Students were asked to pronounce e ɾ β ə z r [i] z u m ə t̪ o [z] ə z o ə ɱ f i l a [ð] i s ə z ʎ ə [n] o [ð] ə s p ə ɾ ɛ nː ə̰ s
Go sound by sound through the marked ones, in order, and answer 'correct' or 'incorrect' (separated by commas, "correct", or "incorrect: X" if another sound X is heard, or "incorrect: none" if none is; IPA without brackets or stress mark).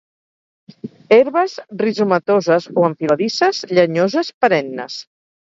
correct, correct, correct, incorrect: ɲ, incorrect: z